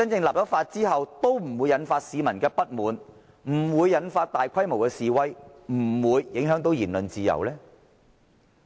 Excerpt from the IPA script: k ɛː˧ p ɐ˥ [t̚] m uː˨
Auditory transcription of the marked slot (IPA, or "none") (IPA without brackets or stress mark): t̚